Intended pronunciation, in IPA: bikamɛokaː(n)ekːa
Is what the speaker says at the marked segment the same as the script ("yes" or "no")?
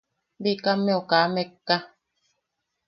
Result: no